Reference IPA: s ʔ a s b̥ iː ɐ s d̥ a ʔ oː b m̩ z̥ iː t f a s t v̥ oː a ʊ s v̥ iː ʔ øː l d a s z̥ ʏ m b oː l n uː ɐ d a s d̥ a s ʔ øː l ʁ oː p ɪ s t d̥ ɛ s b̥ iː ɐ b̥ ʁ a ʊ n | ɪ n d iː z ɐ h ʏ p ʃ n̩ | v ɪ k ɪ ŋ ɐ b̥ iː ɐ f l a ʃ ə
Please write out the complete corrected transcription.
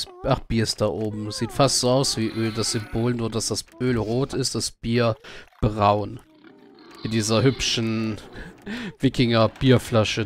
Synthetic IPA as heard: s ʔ a χ b̥ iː ɐ s d̥ a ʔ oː b m̩ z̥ iː t f a s t z̥ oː a ʊ s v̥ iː ʔ øː l d a s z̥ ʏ m b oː l n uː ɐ d a s d̥ a s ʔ øː l ʁ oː t ɪ s t d̥ a s b̥ iː ɐ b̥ ʁ a ʊ n | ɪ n d iː z ɐ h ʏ p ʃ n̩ | v ɪ k ɪ ŋ ɐ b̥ iː ɐ f l a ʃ ə